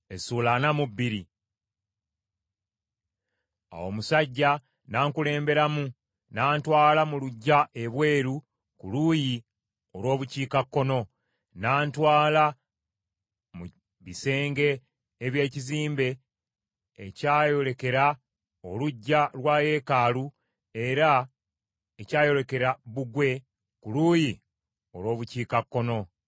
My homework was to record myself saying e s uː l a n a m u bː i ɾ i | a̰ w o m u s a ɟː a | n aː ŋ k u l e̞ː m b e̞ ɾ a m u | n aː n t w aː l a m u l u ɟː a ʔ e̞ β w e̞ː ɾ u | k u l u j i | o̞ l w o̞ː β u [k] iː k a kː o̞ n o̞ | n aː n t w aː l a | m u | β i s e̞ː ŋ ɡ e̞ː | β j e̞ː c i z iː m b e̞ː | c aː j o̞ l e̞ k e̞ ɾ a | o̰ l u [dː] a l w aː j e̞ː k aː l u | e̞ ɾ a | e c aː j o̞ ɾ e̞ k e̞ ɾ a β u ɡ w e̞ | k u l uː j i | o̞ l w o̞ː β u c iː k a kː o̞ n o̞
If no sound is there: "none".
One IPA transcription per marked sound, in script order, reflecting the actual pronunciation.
c, ɟː

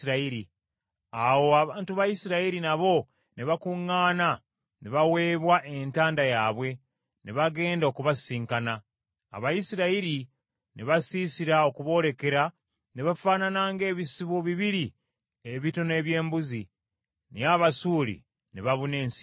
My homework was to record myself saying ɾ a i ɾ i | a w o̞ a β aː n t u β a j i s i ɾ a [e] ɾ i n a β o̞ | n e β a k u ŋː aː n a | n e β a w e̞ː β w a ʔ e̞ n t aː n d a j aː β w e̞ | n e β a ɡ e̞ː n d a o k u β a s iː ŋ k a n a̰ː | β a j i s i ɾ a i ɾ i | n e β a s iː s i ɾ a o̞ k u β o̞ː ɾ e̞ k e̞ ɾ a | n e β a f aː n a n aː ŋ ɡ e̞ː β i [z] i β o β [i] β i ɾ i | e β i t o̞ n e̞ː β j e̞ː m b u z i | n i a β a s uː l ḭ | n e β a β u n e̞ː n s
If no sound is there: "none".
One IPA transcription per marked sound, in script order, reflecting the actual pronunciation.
i, s, i

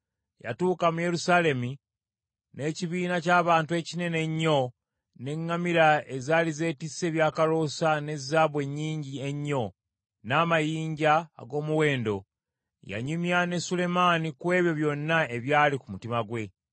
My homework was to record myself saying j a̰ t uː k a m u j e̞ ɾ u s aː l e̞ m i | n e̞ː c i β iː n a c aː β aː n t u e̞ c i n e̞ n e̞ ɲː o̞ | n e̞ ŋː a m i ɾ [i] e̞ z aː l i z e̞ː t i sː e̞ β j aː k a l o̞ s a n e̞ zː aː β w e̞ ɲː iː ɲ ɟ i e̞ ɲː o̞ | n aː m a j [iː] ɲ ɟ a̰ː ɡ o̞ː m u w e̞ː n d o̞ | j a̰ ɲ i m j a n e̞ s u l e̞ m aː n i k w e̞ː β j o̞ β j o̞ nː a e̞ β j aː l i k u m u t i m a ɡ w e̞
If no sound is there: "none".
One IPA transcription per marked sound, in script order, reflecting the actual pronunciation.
a, iː

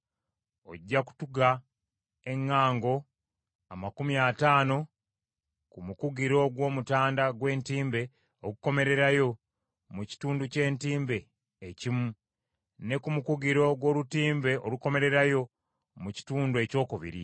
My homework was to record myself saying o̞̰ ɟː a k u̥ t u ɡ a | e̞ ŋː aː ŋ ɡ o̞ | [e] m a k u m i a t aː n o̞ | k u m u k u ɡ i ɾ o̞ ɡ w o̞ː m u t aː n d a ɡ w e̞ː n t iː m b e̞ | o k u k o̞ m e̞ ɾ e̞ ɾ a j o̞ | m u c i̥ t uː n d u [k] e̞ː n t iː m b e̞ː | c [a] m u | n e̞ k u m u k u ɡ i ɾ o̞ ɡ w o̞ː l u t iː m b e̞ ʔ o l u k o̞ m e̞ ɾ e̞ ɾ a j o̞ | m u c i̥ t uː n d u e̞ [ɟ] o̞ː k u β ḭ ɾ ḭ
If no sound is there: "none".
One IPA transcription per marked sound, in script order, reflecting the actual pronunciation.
a, c, i, c

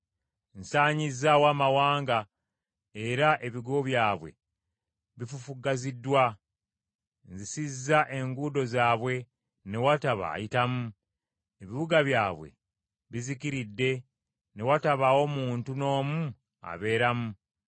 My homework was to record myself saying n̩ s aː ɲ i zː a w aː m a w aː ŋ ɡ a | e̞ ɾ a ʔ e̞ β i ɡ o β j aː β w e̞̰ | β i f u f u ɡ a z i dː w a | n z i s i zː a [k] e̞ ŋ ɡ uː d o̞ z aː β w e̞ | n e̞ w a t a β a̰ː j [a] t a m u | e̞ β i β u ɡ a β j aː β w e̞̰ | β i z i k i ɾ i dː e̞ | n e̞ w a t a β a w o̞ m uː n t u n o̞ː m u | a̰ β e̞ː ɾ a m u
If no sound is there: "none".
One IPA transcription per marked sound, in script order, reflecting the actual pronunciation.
ʔ, i

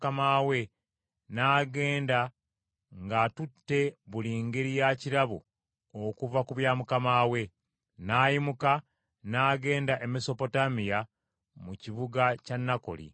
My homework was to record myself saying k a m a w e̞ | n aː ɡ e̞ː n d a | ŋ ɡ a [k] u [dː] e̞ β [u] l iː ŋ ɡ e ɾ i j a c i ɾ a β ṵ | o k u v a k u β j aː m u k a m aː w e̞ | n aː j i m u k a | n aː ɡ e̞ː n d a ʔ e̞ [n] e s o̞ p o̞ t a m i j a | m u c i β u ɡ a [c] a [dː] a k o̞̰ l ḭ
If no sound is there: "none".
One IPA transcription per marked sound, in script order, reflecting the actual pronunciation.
t, tː, u, m, c, nː

